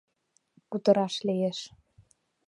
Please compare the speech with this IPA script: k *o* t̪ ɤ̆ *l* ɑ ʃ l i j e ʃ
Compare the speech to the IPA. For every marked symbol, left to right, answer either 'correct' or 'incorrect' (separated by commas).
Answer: incorrect, incorrect